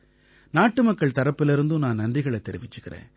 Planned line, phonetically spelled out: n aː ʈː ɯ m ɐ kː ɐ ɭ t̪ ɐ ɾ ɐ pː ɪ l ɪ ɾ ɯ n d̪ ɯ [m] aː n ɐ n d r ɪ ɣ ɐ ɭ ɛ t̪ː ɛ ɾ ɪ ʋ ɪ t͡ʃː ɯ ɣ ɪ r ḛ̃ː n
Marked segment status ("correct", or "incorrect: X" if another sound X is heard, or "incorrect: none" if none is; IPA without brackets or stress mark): incorrect: n